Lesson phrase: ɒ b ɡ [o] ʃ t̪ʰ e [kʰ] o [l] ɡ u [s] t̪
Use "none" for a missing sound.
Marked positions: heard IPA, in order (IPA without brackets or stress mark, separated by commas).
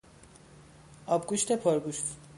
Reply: u, pʰ, ɾ, ʃ